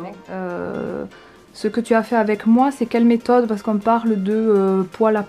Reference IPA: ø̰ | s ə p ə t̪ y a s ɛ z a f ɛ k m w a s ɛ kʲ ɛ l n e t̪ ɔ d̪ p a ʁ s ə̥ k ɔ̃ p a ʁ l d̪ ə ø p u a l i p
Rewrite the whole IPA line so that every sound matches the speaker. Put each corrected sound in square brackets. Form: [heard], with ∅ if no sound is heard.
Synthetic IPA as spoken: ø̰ | s ə [k] ə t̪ y a [f] ɛ [ʁ] a [v] ɛ k m w a s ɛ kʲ ɛ l [m] e t̪ ɔ d̪ p a ʁ s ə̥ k ɔ̃ p a ʁ l d̪ ə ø p [w] a l [a] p